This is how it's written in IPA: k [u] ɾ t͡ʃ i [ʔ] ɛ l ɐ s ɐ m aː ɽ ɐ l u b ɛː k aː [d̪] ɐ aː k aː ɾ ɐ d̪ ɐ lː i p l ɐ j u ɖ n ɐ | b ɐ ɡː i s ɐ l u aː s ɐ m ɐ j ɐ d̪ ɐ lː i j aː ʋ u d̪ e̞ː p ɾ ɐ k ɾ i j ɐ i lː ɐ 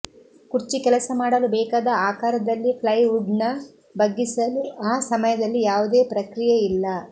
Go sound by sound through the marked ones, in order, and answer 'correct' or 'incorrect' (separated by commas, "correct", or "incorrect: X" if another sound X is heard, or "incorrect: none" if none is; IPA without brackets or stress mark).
correct, incorrect: k, correct